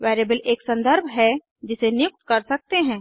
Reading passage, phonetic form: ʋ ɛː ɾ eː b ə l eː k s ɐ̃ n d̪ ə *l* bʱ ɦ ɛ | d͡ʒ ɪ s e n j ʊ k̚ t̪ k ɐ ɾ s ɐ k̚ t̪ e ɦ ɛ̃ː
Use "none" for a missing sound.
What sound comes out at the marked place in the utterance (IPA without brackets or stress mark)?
ɾ